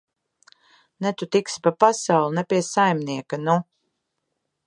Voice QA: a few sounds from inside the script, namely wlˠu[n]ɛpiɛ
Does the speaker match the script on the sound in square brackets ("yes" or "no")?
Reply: yes